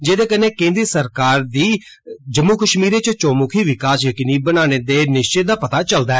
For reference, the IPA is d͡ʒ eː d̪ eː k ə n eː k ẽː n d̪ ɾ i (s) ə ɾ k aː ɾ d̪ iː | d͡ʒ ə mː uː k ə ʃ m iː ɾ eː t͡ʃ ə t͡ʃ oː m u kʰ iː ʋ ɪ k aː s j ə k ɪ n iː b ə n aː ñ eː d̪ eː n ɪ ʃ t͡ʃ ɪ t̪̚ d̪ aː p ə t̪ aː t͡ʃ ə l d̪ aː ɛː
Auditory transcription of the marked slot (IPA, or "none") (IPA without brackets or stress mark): s